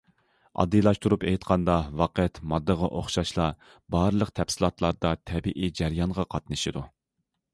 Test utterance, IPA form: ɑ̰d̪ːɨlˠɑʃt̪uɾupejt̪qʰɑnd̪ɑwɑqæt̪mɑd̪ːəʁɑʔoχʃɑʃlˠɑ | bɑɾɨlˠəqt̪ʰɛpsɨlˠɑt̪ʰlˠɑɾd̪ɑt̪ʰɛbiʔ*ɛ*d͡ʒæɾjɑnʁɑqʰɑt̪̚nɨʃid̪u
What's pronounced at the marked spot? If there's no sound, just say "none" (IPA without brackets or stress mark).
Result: i